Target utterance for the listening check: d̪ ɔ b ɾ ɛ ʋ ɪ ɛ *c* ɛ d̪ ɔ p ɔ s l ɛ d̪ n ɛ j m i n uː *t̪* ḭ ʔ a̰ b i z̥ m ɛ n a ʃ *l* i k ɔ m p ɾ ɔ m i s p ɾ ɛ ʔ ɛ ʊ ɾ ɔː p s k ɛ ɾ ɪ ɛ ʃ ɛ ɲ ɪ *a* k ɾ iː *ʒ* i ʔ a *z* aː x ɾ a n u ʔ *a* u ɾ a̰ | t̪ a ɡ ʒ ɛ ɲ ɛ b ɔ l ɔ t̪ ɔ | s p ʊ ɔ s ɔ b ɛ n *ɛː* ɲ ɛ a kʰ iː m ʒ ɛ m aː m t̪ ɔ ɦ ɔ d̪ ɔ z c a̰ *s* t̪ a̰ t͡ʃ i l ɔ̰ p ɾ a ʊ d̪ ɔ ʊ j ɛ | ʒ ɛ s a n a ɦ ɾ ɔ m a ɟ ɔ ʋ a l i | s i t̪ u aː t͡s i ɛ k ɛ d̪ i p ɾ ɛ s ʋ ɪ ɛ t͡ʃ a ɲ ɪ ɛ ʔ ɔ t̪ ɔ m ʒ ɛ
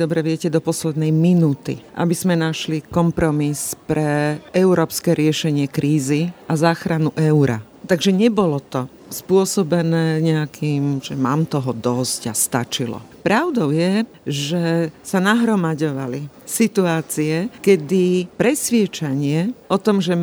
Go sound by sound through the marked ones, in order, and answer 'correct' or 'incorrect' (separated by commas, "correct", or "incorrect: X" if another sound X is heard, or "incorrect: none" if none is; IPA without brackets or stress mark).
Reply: correct, correct, correct, incorrect: ɛ, incorrect: z, correct, incorrect: ɛ, correct, correct